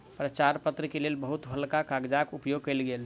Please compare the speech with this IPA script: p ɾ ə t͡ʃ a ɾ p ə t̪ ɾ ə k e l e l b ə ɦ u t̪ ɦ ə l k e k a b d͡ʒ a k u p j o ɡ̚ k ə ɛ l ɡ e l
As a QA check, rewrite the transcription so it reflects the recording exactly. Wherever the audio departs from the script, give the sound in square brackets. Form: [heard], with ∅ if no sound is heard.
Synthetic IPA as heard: p ɾ ə t͡ʃ a ɾ p ə t̪ ɾ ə k e l e l b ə ɦ u t̪ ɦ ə l k [a] k a [ɡ] d͡ʒ a k u p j o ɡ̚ k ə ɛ l ɡ e l